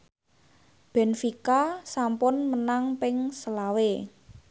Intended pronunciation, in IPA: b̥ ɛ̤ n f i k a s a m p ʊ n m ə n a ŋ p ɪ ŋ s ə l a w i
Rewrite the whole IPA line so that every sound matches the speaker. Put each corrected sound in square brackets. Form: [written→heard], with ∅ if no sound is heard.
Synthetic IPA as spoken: b̥ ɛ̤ n f i k a s a m p ʊ n m ə n a ŋ p ɪ ŋ s ə l a w [i→e]